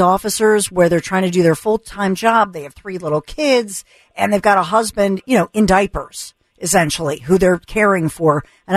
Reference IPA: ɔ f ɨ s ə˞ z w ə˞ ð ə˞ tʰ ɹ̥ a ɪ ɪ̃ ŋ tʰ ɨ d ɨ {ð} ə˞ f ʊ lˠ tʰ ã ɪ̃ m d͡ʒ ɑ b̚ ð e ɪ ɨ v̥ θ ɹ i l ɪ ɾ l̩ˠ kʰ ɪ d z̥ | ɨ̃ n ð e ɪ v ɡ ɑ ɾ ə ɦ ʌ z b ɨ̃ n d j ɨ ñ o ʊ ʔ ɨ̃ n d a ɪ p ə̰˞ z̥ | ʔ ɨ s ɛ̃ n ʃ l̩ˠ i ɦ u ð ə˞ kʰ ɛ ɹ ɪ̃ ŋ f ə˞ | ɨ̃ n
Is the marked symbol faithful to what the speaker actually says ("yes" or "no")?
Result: yes